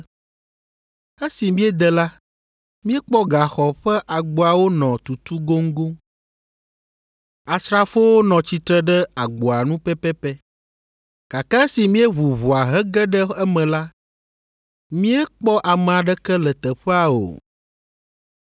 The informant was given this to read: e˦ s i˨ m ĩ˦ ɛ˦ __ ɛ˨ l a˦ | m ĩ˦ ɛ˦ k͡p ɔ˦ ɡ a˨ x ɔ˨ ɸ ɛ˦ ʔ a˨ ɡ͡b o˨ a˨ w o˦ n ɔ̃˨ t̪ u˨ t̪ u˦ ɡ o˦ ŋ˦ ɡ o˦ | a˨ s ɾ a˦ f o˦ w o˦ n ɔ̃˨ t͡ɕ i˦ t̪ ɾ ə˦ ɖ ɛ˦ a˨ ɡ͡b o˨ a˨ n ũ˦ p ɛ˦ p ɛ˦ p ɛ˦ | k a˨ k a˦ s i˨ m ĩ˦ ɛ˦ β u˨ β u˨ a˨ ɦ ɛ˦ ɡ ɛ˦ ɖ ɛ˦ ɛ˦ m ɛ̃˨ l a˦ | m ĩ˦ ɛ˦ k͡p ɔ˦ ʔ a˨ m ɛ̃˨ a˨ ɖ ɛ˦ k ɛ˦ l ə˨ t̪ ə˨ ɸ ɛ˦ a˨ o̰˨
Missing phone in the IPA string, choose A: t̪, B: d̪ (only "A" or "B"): B